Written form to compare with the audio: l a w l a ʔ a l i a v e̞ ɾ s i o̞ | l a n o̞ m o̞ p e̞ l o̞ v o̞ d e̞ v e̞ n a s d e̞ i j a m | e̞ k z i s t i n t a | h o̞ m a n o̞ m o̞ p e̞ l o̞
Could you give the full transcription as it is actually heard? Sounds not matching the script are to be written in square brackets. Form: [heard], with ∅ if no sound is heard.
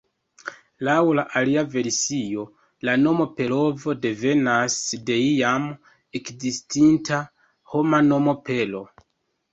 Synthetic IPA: l a w l a ʔ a l i a v e̞ ɾ s i o̞ | l a n o̞ m o̞ p e̞ l o̞ v o̞ d e̞ v e̞ n a s d e̞ i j a m | e̞ k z i s t i n t a | h o̞ m a n o̞ m o̞ p e̞ l o̞